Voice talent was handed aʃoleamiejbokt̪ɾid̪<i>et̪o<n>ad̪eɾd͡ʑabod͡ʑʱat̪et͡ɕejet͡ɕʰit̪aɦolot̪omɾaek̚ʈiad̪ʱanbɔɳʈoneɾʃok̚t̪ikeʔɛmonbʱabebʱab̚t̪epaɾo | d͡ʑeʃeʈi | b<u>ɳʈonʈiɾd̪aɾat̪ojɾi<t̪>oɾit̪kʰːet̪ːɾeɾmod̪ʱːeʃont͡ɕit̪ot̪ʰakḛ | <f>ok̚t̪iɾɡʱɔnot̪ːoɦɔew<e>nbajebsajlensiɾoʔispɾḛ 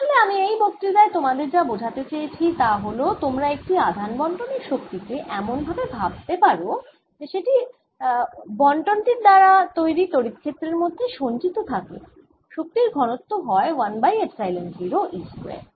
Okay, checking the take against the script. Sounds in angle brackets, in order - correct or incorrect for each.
incorrect, incorrect, incorrect, correct, incorrect, incorrect

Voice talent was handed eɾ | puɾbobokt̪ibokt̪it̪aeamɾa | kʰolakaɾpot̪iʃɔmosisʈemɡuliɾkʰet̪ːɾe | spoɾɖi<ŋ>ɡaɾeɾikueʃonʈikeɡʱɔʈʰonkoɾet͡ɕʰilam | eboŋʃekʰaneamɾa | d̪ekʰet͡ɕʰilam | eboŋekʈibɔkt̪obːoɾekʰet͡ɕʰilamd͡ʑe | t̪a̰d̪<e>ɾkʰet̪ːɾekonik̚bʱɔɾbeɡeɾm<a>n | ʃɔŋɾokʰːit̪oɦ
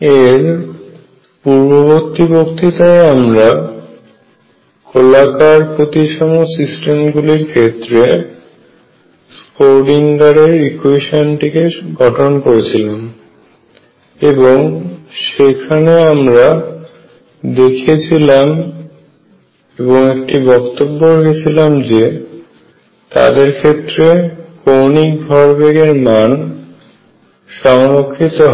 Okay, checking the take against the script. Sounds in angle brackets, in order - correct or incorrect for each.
correct, correct, correct

